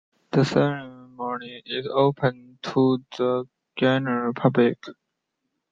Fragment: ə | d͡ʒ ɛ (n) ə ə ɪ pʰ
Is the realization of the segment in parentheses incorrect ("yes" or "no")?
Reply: no